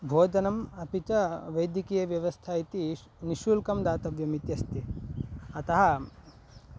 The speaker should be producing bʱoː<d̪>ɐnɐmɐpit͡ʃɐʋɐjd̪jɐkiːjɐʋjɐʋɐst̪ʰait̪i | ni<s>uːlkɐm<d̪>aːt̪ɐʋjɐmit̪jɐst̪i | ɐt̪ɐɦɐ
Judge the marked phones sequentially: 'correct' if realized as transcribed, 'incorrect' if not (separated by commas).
correct, incorrect, correct